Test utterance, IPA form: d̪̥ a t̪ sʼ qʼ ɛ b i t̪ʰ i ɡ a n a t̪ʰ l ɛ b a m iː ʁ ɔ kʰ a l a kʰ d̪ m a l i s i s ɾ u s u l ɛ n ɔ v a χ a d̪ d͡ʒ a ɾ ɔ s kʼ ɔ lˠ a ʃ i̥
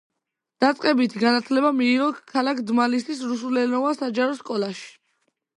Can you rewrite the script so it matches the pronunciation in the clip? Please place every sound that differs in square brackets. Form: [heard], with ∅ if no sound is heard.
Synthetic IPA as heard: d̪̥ a t̪ sʼ qʼ ɛ b i t̪ʰ i ɡ a n a t̪ʰ l ɛ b a m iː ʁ ɔ kʰ a l a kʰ d̪ m a l i s i s ɾ u s u l ɛ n ɔ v a [s] a [∅] d͡ʒ a ɾ ɔ s kʼ ɔ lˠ a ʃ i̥